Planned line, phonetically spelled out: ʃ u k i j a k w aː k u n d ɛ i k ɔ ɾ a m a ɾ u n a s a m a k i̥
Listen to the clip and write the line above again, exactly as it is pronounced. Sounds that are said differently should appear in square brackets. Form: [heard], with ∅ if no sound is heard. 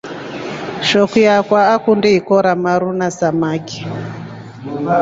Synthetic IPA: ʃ [ɔ] k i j a k w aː k u n d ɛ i k ɔ ɾ a m a ɾ u n a s a m a k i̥